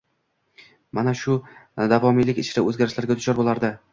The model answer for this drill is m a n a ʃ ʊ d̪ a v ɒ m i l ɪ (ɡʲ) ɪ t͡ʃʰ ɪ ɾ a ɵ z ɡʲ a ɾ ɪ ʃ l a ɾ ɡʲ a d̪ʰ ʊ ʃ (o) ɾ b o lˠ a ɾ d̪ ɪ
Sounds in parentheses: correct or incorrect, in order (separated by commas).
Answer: incorrect, incorrect